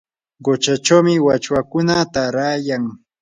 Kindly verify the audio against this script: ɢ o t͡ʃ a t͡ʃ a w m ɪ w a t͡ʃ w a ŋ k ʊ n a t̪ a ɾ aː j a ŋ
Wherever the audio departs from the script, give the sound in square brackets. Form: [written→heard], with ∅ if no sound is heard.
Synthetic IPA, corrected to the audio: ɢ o t͡ʃ a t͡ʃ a w m ɪ w a t͡ʃ w a [ŋ→∅] k ʊ n a t̪ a ɾ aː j a ŋ